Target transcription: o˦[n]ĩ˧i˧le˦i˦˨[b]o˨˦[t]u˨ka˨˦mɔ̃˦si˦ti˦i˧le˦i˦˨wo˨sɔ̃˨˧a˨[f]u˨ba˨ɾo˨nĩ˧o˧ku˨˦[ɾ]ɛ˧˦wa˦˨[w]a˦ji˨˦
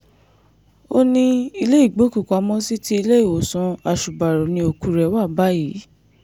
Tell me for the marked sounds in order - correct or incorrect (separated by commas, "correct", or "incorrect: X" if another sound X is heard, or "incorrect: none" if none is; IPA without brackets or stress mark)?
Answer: correct, incorrect: ɡ͡b, incorrect: k, incorrect: ʃ, correct, incorrect: b